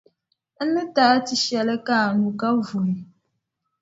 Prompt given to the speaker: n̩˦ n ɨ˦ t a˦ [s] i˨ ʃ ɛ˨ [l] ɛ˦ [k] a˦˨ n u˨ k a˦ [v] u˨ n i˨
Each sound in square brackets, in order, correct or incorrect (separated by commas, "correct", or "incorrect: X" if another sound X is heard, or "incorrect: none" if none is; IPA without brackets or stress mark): incorrect: t, correct, correct, correct